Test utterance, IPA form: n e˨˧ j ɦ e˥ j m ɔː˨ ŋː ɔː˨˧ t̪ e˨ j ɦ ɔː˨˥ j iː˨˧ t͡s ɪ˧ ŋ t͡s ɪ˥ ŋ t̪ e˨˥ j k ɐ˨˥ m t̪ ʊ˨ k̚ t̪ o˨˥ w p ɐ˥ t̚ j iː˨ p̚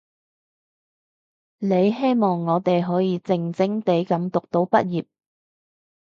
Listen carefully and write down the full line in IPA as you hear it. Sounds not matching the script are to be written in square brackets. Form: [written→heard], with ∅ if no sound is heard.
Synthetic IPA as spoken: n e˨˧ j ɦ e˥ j m ɔː˨ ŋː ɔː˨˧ t̪ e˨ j ɦ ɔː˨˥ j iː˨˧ t͡s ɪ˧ ŋ t͡s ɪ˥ ŋ t̪ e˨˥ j k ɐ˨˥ m t̪ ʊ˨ k̚ t̪ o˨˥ w p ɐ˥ t̚ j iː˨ p̚